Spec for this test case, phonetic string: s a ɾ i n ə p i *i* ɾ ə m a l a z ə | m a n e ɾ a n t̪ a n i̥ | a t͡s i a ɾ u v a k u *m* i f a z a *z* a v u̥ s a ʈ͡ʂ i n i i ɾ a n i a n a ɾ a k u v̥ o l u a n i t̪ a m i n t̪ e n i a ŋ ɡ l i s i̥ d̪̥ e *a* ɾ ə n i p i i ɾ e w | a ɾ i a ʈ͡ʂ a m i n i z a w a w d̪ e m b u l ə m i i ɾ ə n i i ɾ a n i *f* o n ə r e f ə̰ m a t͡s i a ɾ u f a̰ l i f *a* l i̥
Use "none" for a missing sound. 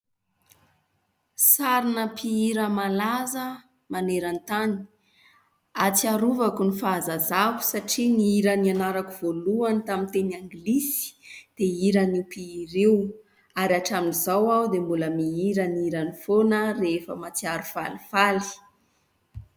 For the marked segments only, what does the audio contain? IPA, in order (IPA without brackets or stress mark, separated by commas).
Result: i, n, z, i, f, a